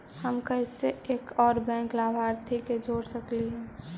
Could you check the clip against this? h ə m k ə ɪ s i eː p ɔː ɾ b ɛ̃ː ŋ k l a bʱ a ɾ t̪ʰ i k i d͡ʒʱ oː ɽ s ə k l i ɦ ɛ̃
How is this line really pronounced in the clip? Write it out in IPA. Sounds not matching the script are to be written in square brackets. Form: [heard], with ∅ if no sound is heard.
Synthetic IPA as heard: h ə m k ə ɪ s [e] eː [k] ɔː ɾ b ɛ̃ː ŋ k l a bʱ a ɾ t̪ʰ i k [e] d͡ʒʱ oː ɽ s ə k l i ɦ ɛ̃